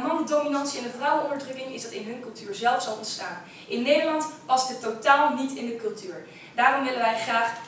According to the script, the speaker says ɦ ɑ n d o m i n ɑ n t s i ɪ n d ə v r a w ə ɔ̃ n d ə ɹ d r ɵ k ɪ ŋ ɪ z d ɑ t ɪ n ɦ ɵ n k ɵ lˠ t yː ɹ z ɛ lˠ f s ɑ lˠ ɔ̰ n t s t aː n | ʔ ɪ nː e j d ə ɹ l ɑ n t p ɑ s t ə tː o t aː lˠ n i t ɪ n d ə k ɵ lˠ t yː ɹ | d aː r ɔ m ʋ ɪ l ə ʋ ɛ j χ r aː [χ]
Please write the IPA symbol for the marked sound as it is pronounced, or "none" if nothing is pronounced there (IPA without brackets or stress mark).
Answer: χ